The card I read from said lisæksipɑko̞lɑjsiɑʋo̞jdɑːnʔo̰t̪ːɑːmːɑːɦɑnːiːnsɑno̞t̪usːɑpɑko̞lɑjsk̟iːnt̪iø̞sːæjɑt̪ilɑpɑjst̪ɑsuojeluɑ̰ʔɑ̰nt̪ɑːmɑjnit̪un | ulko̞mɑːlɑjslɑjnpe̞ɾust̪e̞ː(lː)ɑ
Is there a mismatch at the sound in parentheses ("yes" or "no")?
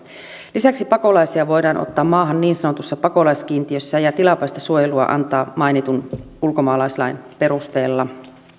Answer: no